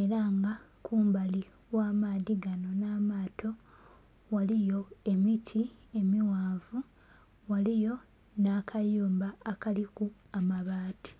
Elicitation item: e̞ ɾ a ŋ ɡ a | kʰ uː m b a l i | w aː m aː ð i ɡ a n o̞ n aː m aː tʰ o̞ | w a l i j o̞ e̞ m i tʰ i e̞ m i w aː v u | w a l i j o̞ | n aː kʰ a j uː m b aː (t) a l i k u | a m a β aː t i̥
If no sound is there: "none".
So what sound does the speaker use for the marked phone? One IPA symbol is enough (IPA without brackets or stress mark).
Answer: k